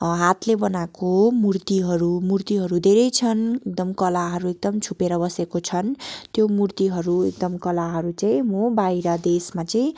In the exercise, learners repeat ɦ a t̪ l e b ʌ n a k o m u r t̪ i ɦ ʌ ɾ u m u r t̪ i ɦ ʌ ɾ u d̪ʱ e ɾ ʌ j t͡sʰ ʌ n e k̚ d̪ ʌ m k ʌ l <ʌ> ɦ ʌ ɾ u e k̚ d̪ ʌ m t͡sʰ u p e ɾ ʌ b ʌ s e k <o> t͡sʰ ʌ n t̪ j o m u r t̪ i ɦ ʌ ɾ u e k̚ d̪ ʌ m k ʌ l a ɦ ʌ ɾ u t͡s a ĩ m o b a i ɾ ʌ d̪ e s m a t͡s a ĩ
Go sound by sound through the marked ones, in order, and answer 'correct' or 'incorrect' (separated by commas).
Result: incorrect, correct